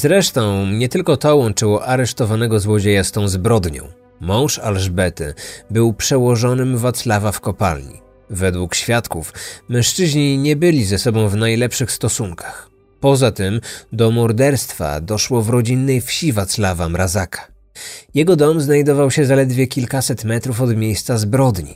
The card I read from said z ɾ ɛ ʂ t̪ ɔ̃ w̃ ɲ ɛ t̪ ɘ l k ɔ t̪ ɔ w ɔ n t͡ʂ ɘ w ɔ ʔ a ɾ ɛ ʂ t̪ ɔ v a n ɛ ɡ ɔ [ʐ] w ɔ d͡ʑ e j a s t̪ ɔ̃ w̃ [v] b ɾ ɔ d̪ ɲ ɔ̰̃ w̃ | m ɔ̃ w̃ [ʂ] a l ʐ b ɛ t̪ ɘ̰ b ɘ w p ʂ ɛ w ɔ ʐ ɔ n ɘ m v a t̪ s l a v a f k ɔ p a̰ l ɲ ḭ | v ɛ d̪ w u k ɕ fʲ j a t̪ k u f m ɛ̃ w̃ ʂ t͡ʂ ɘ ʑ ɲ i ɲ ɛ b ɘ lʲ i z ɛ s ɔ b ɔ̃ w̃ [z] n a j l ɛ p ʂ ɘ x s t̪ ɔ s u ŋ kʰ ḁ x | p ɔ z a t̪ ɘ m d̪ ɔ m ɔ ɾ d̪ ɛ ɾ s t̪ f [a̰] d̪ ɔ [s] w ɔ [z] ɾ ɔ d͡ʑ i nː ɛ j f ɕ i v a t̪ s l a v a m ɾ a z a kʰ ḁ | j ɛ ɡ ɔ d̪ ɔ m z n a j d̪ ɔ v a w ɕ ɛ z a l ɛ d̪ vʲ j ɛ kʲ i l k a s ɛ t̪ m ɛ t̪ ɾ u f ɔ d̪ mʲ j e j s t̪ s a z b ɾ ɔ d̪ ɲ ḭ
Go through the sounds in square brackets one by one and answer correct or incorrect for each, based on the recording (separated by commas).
incorrect, incorrect, correct, incorrect, correct, incorrect, incorrect